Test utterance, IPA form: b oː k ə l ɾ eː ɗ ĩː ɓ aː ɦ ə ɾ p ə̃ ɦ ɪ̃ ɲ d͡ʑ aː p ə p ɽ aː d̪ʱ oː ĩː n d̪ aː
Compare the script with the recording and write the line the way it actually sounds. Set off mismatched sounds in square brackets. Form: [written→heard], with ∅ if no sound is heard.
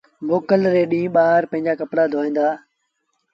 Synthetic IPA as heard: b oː k ə l ɾ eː ɗ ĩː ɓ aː ɦ ə ɾ p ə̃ ɦ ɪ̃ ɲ d͡ʑ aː [p→k] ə p ɽ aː d̪ʱ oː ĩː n d̪ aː